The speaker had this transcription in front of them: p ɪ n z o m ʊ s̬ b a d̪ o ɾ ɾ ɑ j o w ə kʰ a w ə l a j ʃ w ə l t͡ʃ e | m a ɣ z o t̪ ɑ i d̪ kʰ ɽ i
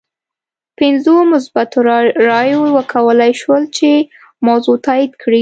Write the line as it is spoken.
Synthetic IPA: p ɪ n z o m ʊ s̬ b a t̪ o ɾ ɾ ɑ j o w ə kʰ a w ə l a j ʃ w ə l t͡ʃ e | m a w z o t̪ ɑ i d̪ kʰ ɽ i